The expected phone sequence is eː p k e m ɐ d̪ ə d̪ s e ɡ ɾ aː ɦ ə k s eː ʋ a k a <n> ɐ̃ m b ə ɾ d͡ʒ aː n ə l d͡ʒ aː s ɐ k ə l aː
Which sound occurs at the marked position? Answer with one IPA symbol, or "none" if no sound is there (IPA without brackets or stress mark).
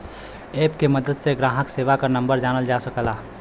n